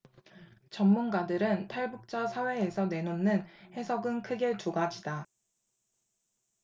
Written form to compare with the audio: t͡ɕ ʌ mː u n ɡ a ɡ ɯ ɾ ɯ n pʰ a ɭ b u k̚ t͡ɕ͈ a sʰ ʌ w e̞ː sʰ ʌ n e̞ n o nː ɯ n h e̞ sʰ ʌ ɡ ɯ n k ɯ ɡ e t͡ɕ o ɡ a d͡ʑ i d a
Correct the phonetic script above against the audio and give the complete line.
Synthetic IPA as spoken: t͡ɕ ʌ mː u n ɡ a d ɯ ɾ ɯ n tʰ a ɭ b u k̚ t͡ɕ͈ a sʰ a w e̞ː sʰ ʌ n e̞ n o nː ɯ n h e̞ sʰ ʌ ɡ ɯ n kʰ ɯ ɡ e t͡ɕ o ɡ a d͡ʑ i d a